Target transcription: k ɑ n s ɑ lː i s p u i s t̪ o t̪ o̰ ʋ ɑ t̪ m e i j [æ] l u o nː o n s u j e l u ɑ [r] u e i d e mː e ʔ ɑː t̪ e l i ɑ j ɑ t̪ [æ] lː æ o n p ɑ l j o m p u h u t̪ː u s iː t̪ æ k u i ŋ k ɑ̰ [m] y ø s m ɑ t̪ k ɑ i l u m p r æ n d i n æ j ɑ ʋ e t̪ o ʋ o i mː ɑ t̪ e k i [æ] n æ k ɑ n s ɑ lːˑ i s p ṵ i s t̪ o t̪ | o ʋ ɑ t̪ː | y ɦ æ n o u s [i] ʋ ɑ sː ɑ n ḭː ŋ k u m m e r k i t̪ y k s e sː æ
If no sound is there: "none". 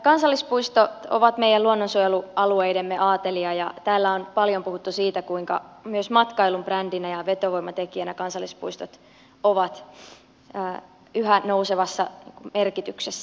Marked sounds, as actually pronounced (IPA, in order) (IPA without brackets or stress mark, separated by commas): æ, l, æː, m, æ, e